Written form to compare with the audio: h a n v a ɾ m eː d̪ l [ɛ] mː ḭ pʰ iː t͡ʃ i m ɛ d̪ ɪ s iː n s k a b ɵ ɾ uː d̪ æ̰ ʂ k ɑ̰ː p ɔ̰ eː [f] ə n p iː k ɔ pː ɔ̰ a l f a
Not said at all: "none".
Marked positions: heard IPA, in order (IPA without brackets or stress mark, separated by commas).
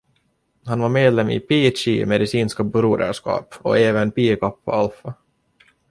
ɛ, v